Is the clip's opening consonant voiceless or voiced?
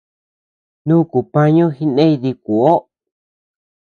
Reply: voiced